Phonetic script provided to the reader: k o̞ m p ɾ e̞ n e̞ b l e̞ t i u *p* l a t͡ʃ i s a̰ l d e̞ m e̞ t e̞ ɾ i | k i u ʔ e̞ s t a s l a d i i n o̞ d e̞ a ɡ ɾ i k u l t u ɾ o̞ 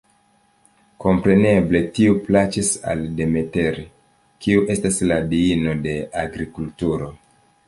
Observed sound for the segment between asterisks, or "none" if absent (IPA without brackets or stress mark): p